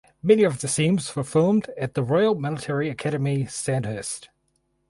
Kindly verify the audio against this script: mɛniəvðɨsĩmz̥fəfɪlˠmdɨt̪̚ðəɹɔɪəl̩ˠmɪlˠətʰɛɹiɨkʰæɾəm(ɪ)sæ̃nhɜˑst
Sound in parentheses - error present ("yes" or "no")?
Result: yes